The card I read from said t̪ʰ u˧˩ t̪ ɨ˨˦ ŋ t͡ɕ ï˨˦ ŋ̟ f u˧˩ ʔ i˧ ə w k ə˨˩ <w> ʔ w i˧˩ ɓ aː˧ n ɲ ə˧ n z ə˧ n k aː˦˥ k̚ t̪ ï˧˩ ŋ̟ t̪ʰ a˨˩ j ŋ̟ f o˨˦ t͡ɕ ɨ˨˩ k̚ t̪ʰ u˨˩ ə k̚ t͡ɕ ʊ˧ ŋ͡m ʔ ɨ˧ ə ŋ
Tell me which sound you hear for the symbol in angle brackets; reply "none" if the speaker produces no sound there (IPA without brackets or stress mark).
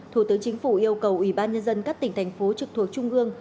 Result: w